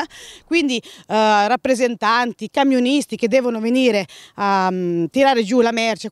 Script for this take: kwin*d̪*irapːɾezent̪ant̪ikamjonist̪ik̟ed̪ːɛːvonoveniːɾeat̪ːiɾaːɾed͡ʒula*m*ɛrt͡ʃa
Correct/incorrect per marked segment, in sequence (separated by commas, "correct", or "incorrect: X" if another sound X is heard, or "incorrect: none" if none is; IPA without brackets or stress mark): correct, correct